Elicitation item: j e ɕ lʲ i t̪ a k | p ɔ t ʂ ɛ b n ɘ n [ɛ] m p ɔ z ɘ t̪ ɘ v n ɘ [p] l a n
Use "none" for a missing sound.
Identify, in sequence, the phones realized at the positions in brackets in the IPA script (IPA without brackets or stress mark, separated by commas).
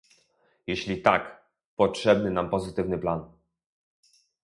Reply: a, p